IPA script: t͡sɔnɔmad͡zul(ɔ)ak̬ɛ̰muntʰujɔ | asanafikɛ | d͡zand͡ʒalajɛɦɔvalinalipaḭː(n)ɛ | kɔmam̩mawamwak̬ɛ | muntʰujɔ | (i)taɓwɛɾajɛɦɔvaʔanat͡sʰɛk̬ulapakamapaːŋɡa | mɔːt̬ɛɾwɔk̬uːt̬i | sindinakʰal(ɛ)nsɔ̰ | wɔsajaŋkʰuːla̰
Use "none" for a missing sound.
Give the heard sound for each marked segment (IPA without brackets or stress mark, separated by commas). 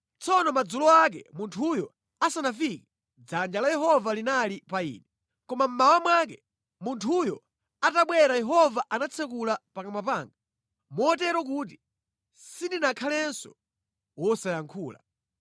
ɔ, n, a, ɛ